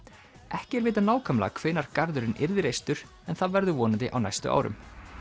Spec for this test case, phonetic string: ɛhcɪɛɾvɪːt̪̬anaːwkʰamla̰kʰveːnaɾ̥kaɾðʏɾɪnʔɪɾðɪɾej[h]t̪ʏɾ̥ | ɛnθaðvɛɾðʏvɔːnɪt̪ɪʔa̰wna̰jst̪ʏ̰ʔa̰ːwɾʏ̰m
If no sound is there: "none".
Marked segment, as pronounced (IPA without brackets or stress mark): s